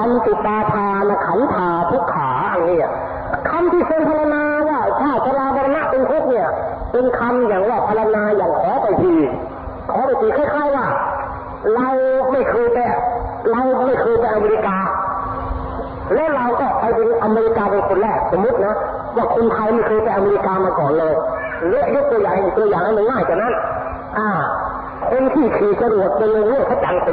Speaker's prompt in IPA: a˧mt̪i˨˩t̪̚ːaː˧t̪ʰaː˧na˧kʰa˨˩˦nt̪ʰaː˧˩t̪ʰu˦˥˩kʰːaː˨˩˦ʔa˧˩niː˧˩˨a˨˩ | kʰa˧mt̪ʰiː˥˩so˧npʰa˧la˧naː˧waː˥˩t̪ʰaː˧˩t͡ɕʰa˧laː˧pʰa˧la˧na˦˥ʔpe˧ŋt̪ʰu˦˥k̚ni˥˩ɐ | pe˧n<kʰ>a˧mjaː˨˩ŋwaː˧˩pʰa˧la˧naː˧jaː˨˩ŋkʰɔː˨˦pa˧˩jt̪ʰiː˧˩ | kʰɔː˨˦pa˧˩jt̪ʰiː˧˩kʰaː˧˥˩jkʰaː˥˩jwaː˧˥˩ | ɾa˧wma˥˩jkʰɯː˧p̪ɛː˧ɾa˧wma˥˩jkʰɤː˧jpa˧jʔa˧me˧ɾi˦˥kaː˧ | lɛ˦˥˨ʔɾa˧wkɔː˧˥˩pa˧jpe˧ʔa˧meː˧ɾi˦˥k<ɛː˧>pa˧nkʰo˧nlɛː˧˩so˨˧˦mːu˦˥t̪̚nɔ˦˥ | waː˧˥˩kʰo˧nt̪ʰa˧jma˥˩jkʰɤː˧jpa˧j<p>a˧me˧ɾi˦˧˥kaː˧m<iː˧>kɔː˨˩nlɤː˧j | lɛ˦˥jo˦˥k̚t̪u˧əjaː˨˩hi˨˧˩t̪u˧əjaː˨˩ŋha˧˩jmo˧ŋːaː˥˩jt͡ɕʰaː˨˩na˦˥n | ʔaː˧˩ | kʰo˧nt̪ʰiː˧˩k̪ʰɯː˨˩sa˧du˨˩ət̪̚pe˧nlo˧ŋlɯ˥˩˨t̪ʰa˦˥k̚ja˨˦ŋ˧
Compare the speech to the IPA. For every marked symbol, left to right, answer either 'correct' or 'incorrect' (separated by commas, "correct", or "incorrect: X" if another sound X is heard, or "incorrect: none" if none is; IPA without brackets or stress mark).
correct, incorrect: aː˧, incorrect: ʔ, incorrect: aː˧